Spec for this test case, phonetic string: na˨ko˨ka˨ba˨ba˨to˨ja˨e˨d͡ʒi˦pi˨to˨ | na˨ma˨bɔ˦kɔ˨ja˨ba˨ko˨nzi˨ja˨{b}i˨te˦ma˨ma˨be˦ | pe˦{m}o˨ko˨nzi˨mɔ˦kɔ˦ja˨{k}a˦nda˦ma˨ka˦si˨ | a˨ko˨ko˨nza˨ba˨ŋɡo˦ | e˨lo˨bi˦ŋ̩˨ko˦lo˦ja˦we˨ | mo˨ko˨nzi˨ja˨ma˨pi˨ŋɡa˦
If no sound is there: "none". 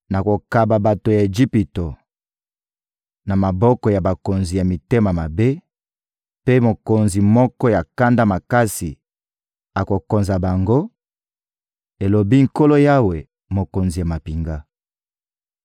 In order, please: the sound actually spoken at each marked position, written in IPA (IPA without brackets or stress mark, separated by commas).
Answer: m, m, k